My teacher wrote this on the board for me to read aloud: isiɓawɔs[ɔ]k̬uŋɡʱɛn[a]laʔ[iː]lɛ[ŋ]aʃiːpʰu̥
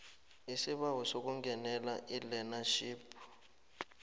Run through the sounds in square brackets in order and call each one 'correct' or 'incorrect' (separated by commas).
incorrect, incorrect, incorrect, incorrect